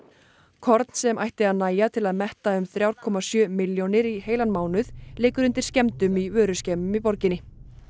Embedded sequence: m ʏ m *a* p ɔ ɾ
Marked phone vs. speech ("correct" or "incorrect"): incorrect